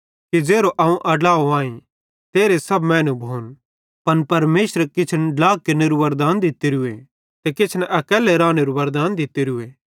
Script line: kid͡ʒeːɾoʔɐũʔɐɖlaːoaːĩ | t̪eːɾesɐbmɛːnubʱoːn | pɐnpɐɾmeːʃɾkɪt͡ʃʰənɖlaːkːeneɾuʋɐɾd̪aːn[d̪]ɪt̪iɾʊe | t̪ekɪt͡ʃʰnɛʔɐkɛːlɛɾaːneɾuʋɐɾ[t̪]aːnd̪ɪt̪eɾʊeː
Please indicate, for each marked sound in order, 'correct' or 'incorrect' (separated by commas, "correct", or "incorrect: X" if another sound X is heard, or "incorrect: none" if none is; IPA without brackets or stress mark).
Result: correct, incorrect: d̪